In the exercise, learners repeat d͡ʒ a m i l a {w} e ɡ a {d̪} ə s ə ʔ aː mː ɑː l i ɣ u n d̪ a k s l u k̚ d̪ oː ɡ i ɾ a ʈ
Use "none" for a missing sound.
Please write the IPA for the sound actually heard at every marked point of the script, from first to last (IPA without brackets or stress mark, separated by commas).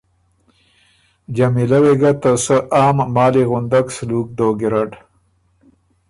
w, t̪